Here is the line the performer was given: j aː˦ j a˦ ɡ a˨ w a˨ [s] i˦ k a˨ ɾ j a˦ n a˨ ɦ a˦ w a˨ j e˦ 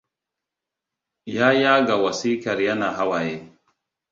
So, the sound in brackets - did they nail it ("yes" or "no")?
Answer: yes